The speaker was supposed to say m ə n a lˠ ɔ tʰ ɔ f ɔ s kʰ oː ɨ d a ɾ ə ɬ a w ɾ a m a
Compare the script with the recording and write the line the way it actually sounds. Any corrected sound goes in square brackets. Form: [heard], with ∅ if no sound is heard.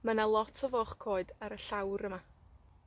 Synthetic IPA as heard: m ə n a lˠ ɔ tʰ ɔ [v] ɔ [χ] kʰ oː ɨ d a ɾ ə ɬ a w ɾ [ə] m a